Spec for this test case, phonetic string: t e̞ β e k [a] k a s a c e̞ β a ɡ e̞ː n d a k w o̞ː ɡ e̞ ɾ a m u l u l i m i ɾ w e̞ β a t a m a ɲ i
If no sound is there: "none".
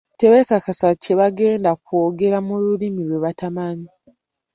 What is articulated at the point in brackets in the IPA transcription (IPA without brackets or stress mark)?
a